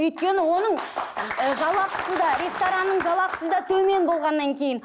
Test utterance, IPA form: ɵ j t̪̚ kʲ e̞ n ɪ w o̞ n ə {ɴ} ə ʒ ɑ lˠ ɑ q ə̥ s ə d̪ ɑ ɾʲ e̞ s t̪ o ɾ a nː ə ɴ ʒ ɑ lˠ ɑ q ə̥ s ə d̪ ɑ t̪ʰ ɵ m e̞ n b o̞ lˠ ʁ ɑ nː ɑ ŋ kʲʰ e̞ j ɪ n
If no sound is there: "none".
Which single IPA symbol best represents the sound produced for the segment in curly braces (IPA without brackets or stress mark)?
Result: ɴ